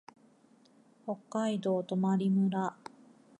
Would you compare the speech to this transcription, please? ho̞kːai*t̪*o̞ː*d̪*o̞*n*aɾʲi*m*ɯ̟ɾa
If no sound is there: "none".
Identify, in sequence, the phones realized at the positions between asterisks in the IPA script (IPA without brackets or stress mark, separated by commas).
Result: d̪, t̪, m, m